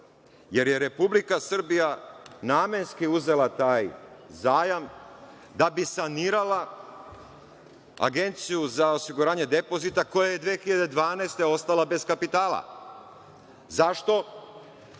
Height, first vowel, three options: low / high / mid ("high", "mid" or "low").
mid